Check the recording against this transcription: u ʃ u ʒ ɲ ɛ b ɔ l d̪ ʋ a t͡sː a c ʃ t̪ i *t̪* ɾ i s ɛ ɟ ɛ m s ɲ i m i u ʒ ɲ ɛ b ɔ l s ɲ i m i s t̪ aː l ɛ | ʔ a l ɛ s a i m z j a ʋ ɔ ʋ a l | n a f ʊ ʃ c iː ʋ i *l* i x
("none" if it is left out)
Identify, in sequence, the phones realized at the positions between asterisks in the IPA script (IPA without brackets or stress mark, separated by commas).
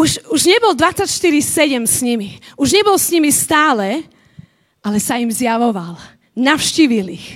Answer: none, l